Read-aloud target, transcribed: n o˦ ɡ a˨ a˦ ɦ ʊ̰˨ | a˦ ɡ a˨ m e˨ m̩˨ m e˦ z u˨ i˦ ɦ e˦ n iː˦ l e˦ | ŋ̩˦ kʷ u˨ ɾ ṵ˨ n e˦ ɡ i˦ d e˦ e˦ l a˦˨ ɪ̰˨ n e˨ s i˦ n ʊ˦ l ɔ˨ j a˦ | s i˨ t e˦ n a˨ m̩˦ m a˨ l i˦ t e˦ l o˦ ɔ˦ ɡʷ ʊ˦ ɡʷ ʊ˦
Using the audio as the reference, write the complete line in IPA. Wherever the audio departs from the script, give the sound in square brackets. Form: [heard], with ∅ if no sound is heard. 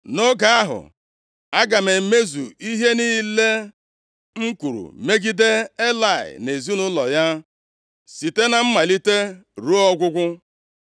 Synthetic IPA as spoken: n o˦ ɡ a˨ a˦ ɦ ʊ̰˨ | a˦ ɡ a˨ m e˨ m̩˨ m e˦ z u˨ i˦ ɦ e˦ n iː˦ l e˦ | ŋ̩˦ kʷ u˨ ɾ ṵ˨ [m] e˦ ɡ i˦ d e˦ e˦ l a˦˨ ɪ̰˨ n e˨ [z] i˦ n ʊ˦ l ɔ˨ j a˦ | s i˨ t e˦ n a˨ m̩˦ m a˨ l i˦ t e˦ [ɾ] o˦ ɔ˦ ɡʷ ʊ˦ ɡʷ ʊ˦